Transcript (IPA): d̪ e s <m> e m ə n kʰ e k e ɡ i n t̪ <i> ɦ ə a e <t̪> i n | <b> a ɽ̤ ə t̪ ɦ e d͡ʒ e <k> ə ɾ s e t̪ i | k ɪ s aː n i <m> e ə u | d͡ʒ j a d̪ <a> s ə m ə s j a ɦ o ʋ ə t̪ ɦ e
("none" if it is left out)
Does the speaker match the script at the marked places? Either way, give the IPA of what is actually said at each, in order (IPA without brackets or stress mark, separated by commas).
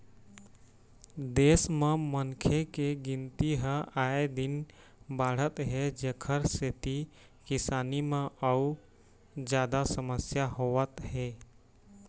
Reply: m, i, d̪, b, kʰ, m, a